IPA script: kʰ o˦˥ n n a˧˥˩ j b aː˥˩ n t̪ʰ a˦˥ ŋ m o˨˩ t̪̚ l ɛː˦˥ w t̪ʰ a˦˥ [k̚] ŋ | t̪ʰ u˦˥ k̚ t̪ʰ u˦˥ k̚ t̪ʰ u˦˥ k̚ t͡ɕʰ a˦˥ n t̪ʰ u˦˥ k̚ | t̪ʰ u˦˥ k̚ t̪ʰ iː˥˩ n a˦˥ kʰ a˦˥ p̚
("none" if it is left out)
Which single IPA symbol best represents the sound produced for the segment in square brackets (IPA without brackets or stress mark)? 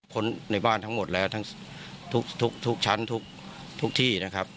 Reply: none